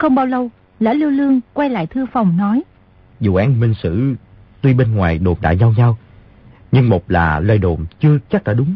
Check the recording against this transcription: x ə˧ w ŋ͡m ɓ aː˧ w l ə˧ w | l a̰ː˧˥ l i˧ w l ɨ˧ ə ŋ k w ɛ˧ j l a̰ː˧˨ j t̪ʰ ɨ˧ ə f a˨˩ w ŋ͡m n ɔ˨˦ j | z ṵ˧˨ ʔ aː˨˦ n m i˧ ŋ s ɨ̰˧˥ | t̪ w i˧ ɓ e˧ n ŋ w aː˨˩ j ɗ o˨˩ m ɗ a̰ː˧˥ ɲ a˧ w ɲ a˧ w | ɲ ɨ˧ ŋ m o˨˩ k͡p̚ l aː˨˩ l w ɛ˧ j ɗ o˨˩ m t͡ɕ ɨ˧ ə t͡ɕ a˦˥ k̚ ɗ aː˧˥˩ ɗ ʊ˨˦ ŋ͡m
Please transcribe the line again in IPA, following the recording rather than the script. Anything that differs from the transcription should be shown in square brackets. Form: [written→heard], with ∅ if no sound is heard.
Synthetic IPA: x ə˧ w ŋ͡m ɓ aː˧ w l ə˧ w | l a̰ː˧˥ l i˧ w l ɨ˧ ə ŋ k w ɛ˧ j l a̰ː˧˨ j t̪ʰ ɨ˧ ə f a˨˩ w ŋ͡m n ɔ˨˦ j | z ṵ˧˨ ʔ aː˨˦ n m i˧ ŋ s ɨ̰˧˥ | t̪ w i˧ ɓ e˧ n ŋ w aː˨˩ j ɗ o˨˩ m ɗ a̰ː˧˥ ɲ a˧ w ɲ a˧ w | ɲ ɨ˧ ŋ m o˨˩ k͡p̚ l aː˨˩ l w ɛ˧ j ɗ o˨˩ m t͡ɕ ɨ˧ ə t͡ɕ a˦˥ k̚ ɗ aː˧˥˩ ɗ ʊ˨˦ ŋ͡m